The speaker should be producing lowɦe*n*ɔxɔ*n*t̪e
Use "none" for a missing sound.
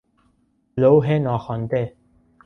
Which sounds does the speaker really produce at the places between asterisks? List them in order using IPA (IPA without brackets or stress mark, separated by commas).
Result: n, n